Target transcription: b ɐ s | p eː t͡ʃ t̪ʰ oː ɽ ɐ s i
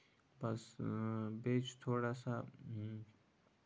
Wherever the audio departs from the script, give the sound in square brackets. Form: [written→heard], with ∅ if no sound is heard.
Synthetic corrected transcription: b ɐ s | [p→b] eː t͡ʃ t̪ʰ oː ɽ [ɐ→a] s [i→a]